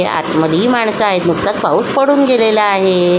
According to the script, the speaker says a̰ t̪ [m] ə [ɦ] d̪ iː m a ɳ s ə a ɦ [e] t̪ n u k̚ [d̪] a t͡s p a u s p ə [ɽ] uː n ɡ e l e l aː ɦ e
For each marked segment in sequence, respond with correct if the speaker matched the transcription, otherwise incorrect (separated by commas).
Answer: correct, incorrect, correct, incorrect, correct